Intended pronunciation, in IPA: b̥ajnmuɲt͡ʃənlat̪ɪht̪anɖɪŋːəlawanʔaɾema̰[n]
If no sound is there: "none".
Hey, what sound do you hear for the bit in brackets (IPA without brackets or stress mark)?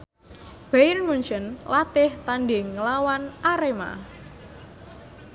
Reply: none